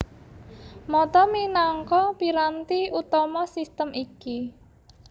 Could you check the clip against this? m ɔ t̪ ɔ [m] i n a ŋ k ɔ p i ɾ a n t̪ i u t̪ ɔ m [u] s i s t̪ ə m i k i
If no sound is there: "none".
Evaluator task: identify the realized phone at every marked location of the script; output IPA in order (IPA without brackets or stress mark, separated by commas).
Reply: m, ɔ